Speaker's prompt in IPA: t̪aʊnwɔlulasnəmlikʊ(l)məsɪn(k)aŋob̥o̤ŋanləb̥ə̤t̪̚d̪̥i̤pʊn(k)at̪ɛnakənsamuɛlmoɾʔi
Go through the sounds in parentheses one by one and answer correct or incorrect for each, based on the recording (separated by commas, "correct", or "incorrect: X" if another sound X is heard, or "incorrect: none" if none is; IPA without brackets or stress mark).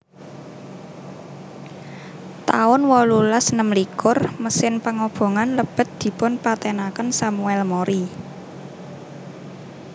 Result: incorrect: r, incorrect: p, incorrect: p